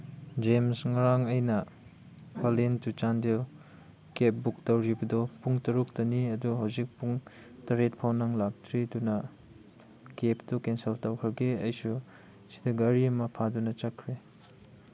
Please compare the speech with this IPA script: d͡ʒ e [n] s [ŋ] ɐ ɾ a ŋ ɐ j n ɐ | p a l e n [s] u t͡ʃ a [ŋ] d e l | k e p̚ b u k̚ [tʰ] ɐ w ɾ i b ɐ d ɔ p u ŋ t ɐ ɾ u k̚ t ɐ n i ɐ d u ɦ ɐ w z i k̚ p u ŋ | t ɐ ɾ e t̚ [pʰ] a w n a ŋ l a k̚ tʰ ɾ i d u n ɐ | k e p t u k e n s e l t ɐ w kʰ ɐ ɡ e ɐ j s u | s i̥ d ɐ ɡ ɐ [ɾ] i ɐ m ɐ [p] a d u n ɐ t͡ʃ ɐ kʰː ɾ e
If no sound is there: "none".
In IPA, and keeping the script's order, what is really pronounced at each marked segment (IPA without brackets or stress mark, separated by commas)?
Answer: m, ŋ, t, n, t, pʰ, ɾ, pʰ